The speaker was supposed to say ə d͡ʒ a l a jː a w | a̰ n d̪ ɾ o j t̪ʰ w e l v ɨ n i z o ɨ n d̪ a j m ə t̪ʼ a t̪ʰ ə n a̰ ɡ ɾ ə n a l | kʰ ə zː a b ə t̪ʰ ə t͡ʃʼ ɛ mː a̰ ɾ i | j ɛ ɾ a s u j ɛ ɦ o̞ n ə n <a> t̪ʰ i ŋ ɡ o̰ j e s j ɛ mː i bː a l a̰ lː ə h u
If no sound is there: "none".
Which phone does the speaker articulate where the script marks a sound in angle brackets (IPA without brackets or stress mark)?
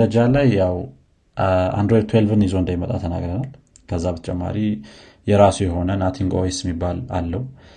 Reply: a